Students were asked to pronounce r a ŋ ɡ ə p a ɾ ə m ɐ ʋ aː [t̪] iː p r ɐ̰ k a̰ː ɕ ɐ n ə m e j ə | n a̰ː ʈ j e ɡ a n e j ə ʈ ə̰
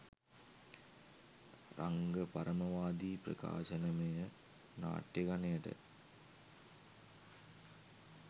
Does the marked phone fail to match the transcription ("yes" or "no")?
yes